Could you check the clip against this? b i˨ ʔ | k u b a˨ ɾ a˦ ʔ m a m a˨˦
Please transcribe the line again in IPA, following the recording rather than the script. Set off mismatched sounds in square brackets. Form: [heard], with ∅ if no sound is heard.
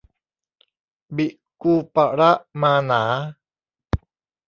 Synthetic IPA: b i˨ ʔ | k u [p] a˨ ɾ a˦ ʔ m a [n] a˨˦

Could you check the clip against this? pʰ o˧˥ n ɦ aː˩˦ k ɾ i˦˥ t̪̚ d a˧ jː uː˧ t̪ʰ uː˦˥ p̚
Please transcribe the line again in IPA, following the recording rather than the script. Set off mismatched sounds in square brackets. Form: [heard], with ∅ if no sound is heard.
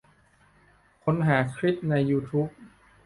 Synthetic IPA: [kʰ] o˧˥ n ɦ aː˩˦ [kʰ] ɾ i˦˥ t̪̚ [n] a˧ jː uː˧ t̪ʰ uː˦˥ p̚

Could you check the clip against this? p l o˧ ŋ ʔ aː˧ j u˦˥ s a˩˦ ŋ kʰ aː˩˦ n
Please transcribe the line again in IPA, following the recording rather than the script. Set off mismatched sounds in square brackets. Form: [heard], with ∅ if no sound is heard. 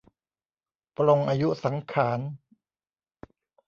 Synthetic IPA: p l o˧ ŋ ʔ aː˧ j u˦˥ s a˩˦ ŋ kʰ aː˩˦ n

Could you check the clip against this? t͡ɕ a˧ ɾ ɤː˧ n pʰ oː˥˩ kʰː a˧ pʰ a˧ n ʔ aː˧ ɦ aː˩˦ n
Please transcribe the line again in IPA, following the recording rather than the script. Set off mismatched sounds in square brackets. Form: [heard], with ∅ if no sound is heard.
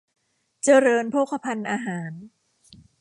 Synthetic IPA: t͡ɕ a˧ ɾ ɤː˧ n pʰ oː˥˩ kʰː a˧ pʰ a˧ n ʔ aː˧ ɦ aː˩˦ n

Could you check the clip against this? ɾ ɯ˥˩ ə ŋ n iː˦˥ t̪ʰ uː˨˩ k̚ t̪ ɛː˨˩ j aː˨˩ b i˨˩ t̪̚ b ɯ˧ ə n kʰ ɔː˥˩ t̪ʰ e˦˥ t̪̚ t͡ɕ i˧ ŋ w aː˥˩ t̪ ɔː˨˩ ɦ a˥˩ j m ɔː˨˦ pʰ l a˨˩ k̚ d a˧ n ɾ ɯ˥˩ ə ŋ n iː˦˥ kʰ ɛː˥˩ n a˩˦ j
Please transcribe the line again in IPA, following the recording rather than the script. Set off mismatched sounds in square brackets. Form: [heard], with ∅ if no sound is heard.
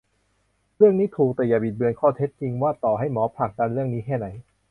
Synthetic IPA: ɾ ɯ˥˩ ə ŋ n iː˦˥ t̪ʰ uː˨˩ k̚ t̪ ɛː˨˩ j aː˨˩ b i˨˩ t̪̚ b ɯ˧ ə n kʰ ɔː˥˩ t̪ʰ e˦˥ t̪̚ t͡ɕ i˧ ŋ w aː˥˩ t̪ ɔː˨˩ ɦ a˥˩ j m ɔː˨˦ pʰ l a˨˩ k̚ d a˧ n ɾ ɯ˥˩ ə ŋ n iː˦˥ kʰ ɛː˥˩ n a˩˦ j

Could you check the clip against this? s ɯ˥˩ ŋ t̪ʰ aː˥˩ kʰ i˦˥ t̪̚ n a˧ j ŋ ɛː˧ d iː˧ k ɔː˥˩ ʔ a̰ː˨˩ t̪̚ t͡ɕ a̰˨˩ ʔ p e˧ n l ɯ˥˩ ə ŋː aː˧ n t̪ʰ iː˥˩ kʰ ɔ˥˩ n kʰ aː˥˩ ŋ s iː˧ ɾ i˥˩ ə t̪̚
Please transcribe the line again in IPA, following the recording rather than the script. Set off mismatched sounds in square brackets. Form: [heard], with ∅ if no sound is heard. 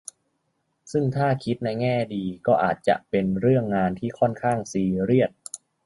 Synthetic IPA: s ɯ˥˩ ŋ t̪ʰ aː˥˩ kʰ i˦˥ t̪̚ n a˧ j ŋ [ɛː˥˩] d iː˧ k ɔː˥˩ ʔ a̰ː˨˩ t̪̚ t͡ɕ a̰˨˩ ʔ p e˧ n [ɾ] ɯ˥˩ ə ŋː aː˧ n t̪ʰ iː˥˩ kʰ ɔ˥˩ n kʰ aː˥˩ ŋ s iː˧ ɾ i˥˩ ə t̪̚

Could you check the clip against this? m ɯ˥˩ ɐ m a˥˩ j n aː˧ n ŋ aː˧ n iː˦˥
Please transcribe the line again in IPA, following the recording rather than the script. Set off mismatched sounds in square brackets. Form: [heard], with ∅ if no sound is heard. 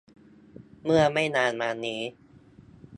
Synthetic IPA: m ɯ˥˩ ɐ m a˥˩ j n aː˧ n [m] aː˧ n iː˦˥

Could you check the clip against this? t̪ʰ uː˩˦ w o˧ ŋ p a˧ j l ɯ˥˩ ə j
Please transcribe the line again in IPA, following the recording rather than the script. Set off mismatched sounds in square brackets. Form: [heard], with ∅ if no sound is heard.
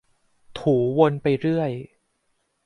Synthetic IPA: t̪ʰ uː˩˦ w o˧ [n] p a˧ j [ɾ] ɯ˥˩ ə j

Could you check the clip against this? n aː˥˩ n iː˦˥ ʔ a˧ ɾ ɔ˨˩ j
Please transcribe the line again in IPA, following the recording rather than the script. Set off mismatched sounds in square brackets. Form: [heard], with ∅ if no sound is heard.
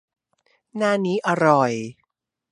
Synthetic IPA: n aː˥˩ n iː˦˥ ʔ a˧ ɾ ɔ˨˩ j

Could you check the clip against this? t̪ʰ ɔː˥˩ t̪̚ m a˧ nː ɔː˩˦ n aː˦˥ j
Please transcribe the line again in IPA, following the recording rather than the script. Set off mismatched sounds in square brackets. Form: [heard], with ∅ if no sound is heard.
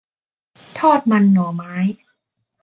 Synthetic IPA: t̪ʰ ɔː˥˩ t̪̚ m a˧ nː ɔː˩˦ [m] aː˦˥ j

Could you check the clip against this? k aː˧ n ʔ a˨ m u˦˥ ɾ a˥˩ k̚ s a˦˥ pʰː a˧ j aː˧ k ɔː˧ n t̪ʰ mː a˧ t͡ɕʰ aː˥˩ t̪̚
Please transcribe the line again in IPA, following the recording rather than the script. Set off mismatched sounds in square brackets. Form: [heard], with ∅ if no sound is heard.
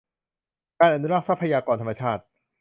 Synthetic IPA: k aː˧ n ʔ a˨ [n] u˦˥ ɾ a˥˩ k̚ s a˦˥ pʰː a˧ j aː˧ k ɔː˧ n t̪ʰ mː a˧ t͡ɕʰ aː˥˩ t̪̚

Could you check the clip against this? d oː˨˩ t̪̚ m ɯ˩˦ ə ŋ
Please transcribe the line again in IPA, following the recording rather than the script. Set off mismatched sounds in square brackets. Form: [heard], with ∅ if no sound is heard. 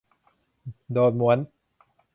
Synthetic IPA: d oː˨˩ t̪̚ m [u˩˦] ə [n]

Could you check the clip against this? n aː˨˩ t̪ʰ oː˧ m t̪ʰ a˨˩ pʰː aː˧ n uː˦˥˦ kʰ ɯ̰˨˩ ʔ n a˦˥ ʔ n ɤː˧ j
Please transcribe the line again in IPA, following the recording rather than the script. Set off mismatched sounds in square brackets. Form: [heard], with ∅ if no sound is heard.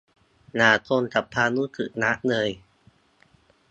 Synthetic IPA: n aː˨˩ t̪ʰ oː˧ [n] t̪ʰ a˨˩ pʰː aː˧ n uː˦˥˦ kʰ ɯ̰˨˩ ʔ n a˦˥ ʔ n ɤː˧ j

